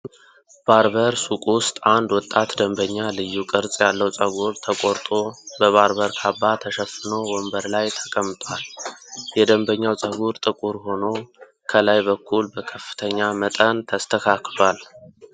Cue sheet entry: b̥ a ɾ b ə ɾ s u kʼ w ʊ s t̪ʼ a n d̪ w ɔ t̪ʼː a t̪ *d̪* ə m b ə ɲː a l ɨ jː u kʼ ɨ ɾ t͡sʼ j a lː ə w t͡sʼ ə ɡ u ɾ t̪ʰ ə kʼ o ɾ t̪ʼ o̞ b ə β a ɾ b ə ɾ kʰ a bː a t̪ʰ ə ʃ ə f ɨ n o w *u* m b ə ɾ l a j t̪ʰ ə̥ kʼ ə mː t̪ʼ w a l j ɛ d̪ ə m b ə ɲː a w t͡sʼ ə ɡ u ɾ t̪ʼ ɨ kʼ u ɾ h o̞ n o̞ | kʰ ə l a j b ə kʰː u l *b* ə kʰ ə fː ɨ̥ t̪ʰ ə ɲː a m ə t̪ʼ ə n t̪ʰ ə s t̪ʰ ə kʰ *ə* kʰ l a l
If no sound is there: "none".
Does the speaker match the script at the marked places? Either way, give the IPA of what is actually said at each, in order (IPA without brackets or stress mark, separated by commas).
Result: d̪, ɔ, b, a